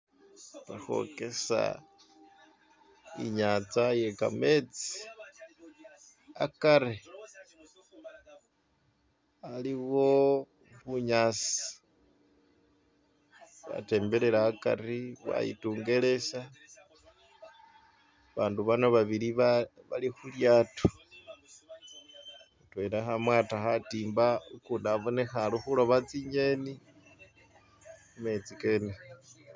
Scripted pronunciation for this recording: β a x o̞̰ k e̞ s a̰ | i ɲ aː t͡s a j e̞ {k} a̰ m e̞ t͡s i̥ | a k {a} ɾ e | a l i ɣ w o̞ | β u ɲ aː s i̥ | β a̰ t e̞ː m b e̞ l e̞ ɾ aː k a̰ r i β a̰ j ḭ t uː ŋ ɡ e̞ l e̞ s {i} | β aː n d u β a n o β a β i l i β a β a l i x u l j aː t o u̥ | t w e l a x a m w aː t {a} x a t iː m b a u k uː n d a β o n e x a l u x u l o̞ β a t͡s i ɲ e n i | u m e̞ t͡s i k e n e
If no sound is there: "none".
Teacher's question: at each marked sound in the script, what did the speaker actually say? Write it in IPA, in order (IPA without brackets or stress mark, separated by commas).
k, a, a, a